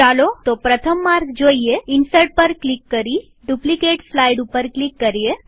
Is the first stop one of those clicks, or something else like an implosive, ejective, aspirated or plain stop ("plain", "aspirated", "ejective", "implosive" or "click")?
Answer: plain